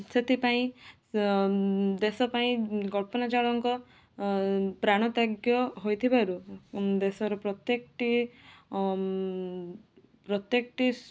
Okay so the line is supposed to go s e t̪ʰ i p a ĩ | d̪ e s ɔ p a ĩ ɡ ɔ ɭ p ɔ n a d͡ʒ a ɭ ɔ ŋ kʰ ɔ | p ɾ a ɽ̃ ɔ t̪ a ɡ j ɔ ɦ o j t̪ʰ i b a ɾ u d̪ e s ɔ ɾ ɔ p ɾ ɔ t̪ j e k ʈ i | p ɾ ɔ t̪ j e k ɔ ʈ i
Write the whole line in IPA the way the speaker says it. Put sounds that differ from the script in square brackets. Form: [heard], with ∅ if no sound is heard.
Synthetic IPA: s e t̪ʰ i p a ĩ | d̪ e s ɔ p a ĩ ɡ ɔ ɭ p ɔ n a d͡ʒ a ɭ ɔ ŋ [k] ɔ | p ɾ a ɽ̃ ɔ t̪ a ɡ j ɔ ɦ o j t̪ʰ i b a ɾ u d̪ e s ɔ ɾ ɔ p ɾ ɔ t̪ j e k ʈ i | p ɾ ɔ t̪ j e k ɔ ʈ i